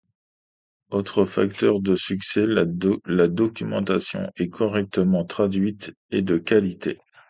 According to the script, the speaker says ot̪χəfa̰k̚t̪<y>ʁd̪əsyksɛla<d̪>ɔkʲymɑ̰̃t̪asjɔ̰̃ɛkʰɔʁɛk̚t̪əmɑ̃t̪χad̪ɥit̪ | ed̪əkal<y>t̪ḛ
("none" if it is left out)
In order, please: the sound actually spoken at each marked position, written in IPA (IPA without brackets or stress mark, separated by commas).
œ, d̪, i